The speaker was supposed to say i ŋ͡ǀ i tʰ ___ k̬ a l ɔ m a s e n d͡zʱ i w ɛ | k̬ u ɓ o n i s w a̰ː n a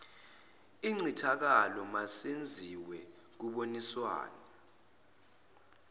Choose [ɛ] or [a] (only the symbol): a